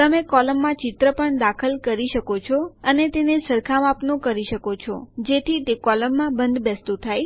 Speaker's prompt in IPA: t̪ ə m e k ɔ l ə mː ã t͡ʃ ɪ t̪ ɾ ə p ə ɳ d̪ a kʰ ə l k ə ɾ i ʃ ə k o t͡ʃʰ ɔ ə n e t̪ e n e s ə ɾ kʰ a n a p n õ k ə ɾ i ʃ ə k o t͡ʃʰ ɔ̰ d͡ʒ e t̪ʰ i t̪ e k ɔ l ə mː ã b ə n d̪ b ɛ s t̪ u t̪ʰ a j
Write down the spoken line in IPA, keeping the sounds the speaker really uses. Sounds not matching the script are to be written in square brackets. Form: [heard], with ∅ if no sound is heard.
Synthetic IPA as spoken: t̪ ə m e k ɔ l ə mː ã t͡ʃ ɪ t̪ ɾ ə p ə ɳ d̪ a kʰ ə l k ə ɾ i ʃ ə k o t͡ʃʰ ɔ ə n e t̪ e n e s ə ɾ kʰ a [m] a p n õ k ə ɾ i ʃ ə k o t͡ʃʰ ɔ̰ d͡ʒ e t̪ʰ i t̪ e k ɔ l ə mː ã b ə n d̪ b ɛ s t̪ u t̪ʰ a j